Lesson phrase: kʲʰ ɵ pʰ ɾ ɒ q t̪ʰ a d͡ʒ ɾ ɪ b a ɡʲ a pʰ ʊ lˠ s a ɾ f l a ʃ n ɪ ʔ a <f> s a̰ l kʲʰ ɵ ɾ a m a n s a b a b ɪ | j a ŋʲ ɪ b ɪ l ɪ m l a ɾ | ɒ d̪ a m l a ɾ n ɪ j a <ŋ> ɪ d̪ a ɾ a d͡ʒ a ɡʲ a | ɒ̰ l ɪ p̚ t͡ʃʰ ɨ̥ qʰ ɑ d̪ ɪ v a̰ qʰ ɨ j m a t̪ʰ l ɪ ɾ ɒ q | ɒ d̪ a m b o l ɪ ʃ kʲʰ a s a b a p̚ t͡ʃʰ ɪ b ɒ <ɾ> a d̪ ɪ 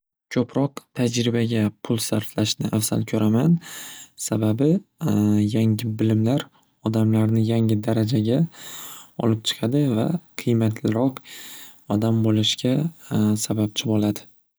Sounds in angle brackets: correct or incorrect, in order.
correct, correct, incorrect: l

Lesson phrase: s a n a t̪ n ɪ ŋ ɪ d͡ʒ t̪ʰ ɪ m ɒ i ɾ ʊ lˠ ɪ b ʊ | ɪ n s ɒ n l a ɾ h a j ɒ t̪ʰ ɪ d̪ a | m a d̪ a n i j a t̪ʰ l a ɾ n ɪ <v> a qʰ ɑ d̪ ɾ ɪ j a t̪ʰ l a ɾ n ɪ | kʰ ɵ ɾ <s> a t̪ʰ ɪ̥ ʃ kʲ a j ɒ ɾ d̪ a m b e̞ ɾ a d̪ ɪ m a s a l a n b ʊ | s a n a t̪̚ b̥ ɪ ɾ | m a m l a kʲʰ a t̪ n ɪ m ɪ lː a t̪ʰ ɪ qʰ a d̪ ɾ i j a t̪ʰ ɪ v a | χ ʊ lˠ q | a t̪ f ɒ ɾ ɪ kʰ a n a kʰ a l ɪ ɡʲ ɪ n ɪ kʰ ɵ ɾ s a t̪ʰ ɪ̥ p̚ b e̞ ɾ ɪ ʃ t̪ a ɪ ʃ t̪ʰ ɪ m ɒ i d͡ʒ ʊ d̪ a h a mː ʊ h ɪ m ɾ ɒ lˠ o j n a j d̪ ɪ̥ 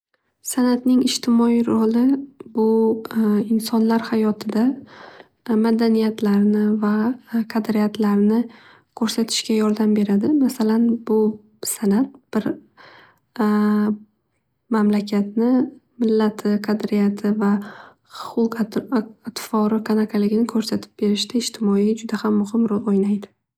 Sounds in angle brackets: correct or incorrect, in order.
correct, correct

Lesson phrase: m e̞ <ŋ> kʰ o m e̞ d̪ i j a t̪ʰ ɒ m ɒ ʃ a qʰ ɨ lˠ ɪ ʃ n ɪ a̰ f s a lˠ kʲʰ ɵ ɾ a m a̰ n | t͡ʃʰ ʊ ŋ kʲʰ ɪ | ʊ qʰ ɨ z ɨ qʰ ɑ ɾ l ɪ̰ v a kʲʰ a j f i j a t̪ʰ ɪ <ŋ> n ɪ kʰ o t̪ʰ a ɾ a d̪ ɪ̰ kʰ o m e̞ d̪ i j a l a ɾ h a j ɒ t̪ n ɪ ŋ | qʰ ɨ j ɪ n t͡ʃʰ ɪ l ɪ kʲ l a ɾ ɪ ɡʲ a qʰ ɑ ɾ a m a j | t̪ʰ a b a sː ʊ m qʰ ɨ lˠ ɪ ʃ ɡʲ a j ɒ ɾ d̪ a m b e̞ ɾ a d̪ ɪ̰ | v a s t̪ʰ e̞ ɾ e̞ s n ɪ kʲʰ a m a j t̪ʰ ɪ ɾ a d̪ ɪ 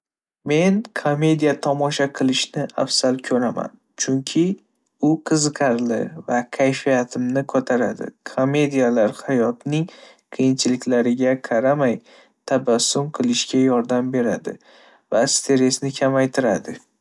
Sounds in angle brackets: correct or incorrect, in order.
incorrect: n, incorrect: m

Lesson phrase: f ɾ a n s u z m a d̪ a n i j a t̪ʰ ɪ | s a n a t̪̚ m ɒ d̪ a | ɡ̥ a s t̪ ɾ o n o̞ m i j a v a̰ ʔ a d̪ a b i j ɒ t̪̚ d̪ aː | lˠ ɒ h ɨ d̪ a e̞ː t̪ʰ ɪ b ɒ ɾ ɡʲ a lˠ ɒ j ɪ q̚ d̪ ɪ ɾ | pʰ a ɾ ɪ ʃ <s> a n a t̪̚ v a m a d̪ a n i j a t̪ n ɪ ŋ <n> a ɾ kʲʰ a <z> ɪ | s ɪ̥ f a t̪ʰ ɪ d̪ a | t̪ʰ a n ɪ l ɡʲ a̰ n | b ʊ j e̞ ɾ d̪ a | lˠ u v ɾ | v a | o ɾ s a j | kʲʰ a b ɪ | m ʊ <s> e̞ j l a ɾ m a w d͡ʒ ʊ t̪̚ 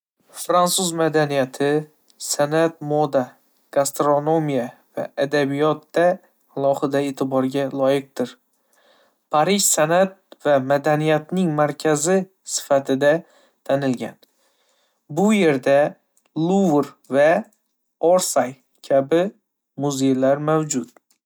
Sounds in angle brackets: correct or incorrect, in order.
correct, incorrect: m, correct, incorrect: z

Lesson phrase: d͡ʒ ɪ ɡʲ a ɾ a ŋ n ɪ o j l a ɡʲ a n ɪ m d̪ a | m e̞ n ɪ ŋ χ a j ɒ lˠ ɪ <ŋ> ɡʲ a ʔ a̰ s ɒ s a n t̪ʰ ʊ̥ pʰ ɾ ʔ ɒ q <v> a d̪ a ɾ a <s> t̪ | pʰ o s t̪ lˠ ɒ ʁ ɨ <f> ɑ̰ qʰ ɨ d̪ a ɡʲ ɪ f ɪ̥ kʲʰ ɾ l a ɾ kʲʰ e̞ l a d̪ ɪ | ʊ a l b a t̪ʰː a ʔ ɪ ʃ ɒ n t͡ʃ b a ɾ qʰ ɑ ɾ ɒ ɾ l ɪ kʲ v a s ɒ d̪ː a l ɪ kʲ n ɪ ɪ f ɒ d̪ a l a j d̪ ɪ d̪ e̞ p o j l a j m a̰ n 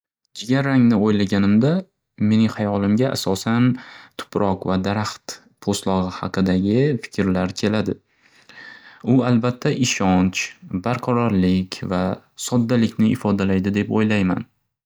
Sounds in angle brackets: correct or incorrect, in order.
incorrect: m, correct, incorrect: χ, incorrect: h

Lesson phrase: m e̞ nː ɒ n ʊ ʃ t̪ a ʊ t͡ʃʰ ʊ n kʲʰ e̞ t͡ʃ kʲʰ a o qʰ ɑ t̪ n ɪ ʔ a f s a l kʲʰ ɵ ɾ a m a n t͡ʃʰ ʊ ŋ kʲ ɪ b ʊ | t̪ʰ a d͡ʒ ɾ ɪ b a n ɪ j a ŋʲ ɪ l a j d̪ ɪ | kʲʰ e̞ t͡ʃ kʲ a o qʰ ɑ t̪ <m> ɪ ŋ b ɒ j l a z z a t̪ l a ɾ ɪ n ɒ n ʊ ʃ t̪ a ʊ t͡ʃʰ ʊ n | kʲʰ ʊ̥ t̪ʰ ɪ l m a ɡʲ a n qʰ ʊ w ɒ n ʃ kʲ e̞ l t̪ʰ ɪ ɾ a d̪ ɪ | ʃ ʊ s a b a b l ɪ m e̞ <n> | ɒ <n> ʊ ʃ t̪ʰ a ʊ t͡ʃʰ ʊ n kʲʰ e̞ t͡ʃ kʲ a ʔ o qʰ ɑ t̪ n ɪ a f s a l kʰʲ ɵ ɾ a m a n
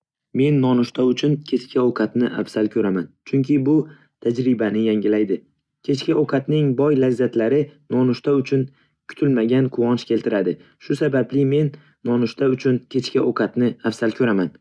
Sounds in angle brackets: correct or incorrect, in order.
incorrect: n, incorrect: nː, correct

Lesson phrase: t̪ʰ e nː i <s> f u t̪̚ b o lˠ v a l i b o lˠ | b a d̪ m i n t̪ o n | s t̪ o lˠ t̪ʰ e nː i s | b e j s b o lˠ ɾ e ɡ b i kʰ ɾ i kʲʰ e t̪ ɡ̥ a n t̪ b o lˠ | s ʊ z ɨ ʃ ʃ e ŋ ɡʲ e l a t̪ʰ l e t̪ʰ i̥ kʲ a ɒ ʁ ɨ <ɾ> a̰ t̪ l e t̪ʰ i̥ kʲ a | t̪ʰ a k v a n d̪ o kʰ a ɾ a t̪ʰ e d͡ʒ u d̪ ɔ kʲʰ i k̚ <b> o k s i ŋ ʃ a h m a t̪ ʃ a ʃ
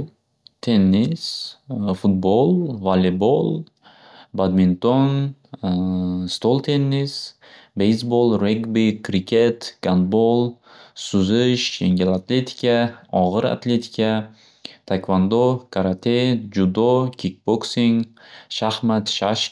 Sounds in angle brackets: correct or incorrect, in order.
correct, correct, correct

